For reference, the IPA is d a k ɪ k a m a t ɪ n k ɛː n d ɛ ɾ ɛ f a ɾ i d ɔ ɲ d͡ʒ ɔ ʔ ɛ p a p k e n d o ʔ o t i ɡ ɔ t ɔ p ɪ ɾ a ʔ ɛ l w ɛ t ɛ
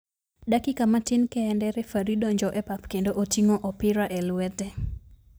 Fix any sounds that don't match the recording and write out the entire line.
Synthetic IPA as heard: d a k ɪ k a m a t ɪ n k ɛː n d ɛ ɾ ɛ f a ɾ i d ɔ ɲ d͡ʒ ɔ ʔ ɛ p a p k e n d o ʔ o t i ŋ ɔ ʔ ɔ p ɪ ɾ a ʔ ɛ l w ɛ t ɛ